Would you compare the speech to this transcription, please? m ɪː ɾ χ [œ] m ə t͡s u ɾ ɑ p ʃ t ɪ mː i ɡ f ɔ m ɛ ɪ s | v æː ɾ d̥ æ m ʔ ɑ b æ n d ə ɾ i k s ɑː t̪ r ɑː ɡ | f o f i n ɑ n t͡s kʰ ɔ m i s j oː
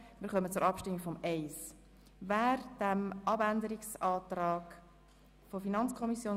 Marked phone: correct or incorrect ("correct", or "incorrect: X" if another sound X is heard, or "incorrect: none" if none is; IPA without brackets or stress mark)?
correct